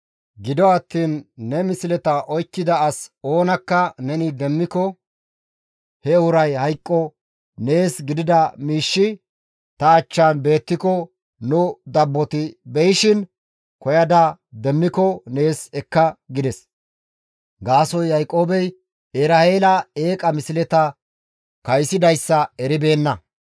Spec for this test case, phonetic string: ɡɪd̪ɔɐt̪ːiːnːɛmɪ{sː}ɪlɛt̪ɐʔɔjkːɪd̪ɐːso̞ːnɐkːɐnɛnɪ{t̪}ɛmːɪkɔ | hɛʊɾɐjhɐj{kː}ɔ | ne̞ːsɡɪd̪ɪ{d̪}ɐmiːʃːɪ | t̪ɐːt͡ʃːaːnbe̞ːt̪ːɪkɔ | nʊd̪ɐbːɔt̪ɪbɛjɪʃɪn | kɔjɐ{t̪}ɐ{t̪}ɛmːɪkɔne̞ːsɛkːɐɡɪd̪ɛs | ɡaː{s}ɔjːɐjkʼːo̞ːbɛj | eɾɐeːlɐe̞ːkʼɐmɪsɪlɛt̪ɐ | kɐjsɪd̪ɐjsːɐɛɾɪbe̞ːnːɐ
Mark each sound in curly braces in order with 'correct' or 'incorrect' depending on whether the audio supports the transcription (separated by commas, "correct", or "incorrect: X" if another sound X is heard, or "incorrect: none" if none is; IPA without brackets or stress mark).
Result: incorrect: s, incorrect: d̪, incorrect: kʼː, correct, incorrect: d̪, incorrect: d̪, correct